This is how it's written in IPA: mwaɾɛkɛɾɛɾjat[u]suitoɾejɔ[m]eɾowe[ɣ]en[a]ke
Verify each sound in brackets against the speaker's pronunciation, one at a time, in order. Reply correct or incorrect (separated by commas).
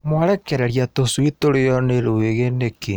incorrect, incorrect, correct, incorrect